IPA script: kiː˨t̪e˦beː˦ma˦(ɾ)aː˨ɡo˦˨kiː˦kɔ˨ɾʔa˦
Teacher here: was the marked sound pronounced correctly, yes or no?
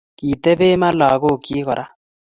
no